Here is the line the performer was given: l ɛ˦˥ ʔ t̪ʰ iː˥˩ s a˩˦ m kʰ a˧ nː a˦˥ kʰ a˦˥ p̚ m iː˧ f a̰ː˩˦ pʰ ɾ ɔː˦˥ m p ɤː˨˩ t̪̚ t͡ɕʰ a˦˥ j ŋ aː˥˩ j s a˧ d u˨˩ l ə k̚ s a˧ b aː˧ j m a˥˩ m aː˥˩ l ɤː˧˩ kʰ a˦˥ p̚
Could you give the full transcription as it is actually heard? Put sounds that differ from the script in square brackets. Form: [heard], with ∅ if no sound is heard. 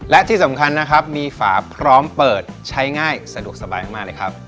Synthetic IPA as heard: l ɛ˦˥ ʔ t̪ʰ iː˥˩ s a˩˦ m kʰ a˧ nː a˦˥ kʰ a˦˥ p̚ m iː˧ f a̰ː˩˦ pʰ ɾ ɔː˦˥ m p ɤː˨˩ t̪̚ t͡ɕʰ a˦˥ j ŋ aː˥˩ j s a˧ d u˨˩ [∅] ə k̚ s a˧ b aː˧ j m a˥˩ m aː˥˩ l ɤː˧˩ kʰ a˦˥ p̚